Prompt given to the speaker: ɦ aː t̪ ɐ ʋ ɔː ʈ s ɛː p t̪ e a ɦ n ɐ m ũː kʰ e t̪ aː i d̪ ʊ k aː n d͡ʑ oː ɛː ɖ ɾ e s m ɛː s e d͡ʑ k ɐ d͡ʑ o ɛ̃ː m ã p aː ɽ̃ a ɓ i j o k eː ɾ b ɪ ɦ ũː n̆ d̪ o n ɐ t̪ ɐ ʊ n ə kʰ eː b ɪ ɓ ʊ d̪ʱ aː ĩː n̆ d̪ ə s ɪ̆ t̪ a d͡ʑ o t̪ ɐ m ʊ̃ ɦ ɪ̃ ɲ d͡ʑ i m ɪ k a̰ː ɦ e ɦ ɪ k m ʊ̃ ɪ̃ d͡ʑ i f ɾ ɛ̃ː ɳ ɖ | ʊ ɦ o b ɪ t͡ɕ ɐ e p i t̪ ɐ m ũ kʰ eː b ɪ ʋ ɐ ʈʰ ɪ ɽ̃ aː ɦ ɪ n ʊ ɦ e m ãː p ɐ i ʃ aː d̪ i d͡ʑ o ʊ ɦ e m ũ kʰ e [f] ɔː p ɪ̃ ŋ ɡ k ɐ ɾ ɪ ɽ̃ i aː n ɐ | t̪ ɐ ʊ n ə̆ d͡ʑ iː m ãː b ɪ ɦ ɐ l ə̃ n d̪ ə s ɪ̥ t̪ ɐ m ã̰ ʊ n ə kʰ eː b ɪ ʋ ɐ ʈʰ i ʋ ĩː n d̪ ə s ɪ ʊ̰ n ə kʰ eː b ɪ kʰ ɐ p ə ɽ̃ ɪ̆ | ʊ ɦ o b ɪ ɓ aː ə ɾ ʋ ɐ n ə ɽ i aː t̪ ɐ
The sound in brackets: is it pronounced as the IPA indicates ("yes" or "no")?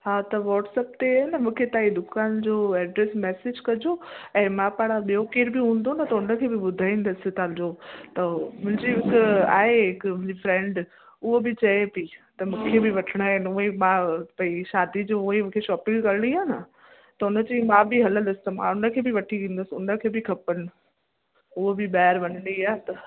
no